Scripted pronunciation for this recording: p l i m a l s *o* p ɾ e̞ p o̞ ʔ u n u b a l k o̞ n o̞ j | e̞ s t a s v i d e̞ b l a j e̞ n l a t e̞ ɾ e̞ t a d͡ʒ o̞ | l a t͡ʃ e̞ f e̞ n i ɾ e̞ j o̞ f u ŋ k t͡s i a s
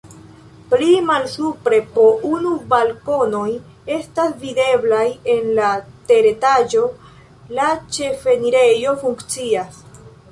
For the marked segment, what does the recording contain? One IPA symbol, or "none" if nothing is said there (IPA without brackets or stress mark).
u